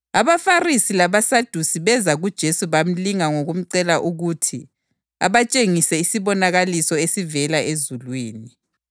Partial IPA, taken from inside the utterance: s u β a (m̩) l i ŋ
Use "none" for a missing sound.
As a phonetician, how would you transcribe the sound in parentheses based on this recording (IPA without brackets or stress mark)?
m̩